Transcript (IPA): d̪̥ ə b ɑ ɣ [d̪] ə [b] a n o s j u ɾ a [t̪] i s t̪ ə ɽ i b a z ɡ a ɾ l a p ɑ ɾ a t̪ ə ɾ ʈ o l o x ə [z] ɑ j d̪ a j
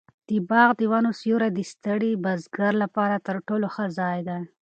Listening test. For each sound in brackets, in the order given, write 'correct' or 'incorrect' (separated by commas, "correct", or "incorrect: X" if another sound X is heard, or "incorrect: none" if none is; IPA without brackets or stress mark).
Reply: correct, incorrect: w, incorrect: d̪, correct